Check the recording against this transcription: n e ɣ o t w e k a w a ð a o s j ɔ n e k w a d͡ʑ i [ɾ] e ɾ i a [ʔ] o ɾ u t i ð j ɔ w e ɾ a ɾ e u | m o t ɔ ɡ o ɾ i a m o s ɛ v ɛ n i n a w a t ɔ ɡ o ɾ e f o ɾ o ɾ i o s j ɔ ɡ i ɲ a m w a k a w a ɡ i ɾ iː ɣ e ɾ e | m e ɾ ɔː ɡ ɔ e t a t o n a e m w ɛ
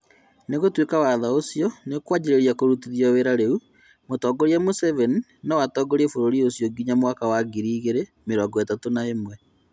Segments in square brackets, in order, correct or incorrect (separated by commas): correct, incorrect